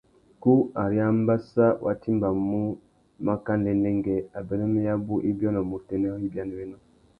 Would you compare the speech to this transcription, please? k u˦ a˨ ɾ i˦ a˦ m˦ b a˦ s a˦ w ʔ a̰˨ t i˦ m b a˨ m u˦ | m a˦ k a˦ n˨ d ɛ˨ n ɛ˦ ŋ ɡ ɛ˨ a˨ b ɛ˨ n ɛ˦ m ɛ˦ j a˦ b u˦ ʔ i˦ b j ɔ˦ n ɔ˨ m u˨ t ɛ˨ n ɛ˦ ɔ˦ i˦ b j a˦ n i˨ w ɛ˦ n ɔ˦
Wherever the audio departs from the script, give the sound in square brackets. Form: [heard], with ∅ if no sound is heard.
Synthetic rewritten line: k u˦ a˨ ɾ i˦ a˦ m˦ b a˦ s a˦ w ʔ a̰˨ t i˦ m b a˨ m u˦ | m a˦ k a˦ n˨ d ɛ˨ n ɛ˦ ŋ ɡ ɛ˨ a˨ b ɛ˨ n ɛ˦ m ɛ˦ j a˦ b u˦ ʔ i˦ b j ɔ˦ n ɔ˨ m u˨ t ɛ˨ n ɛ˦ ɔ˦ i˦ b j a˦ n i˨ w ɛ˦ n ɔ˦

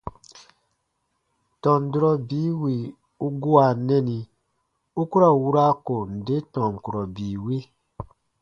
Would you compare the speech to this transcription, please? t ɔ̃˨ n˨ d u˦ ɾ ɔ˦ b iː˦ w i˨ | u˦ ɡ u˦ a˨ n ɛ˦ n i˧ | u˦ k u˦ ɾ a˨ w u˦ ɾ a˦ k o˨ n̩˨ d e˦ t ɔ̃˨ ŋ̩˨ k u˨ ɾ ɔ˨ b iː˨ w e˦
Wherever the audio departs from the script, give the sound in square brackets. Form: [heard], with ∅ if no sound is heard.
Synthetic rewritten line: t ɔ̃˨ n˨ d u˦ ɾ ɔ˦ b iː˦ w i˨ | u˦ ɡ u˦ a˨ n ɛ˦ n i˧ | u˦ k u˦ ɾ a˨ w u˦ ɾ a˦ k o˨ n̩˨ d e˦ t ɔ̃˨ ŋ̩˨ k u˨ ɾ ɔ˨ b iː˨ w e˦

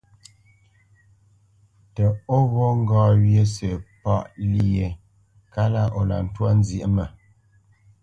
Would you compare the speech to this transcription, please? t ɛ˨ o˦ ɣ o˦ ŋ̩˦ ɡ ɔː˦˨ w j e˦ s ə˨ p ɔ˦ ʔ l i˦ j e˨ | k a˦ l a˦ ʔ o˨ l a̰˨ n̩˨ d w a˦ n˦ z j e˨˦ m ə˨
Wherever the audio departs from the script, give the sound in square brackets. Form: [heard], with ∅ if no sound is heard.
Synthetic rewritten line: t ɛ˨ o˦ ɣ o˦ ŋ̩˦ ɡ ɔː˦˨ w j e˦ s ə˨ p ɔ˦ ʔ l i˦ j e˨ | k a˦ l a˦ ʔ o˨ l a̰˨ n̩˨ [t] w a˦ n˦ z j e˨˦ m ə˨

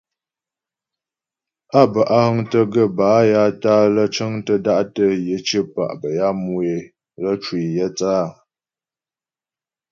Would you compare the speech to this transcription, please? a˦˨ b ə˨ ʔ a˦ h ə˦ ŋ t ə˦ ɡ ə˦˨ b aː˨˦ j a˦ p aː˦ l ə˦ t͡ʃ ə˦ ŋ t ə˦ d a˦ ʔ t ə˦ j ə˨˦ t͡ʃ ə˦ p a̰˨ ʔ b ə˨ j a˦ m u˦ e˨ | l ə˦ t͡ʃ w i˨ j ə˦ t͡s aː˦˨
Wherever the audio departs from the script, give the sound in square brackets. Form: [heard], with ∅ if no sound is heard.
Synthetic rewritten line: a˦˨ b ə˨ ʔ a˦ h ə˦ ŋ t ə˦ ɡ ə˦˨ b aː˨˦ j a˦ [t] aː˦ l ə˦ t͡ʃ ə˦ ŋ t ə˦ d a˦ ʔ t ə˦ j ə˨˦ t͡ʃ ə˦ p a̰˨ ʔ b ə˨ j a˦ m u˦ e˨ | l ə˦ t͡ʃ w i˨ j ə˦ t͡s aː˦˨

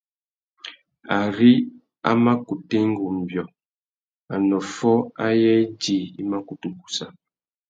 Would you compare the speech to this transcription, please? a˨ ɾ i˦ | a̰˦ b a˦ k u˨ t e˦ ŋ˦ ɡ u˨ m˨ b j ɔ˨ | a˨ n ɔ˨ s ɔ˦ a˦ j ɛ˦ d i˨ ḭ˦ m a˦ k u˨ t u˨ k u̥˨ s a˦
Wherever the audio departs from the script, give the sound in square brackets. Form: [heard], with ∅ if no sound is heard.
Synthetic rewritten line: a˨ ɾ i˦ | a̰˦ [m] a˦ k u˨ t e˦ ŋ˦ ɡ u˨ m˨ b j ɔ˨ | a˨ n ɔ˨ [f] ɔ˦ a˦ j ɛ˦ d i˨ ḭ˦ m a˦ k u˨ t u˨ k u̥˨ s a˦

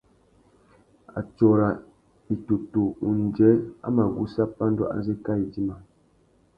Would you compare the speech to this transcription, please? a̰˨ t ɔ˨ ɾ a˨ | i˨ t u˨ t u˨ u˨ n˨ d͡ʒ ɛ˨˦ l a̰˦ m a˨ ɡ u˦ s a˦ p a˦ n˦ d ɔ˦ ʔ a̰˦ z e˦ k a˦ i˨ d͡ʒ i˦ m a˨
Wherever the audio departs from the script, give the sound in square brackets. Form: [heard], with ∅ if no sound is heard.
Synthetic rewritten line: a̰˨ [t͡ʃ] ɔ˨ ɾ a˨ | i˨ t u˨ t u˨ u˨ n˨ d͡ʒ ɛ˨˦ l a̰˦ m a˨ ɡ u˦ s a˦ p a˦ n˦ d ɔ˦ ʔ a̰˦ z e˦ k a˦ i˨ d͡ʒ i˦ m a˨

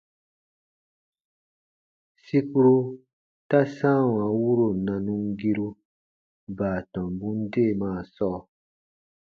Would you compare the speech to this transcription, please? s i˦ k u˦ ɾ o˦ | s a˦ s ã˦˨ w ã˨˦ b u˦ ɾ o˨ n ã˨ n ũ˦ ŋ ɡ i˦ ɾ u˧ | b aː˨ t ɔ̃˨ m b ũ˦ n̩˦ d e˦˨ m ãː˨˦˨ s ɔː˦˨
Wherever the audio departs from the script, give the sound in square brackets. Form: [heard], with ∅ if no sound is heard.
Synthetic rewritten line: s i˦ k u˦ ɾ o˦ | [t] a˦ s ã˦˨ w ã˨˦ [w] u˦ ɾ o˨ n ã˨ n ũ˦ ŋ ɡ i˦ ɾ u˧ | b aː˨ t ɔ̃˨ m b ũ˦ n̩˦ d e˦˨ m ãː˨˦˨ s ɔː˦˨

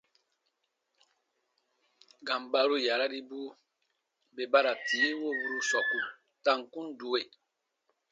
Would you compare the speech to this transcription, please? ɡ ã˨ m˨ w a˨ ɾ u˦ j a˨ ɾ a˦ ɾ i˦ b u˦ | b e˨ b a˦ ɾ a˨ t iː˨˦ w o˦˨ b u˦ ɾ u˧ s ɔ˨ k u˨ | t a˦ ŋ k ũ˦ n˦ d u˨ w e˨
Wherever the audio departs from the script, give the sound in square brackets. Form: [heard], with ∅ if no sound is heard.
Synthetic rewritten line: ɡ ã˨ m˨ [b] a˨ ɾ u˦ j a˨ ɾ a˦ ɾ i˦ b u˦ | b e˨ b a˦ ɾ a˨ t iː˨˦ w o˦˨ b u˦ ɾ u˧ s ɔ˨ k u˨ | t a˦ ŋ k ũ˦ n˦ d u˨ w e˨

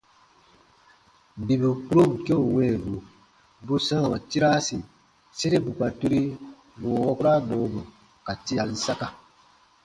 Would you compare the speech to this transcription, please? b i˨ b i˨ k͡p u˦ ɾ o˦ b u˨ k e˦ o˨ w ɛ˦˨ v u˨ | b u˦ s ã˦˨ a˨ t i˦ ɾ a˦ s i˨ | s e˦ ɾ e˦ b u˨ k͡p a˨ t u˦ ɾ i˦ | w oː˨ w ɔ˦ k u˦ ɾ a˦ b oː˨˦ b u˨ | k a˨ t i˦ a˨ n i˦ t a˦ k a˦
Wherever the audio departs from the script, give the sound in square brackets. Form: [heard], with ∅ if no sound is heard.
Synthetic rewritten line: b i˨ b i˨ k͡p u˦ ɾ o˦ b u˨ k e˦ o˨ w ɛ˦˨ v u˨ | b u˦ s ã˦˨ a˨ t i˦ ɾ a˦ s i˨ | s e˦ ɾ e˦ b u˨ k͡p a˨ t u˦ ɾ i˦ | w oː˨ w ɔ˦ k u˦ ɾ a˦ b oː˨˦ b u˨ | k a˨ t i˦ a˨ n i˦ [s] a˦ k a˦

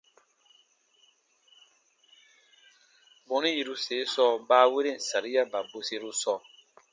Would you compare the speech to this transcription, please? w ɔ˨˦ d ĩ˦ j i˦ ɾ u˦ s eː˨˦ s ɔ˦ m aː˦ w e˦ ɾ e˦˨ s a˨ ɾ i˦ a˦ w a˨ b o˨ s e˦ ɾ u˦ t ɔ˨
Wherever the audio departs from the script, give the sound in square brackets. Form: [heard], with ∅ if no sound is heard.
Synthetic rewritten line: [b] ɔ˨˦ [n] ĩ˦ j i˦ ɾ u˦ s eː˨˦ s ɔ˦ [b] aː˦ w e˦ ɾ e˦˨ s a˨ ɾ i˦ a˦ [b] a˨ b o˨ s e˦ ɾ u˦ [s] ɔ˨

